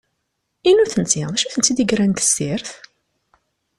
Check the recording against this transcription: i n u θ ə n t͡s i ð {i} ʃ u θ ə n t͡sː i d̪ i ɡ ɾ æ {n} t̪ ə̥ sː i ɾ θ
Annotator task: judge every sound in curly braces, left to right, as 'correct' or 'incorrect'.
incorrect: æ, correct

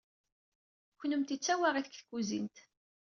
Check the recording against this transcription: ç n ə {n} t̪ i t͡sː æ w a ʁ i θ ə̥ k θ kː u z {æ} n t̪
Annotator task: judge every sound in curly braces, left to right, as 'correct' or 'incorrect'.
incorrect: m, incorrect: i

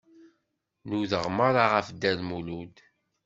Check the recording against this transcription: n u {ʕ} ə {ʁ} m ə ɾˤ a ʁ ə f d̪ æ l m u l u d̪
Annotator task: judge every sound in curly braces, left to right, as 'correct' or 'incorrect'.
incorrect: ð, correct

